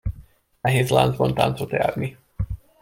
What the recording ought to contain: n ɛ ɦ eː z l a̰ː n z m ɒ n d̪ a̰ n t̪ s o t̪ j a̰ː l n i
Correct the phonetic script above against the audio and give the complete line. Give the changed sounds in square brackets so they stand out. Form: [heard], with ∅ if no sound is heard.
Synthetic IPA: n ɛ ɦ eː z l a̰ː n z [b] ɒ n [t̪] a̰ n t̪ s o t̪ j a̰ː [r] n i